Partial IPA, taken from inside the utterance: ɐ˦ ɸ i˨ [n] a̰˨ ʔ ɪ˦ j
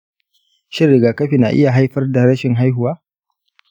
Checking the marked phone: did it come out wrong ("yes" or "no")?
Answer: no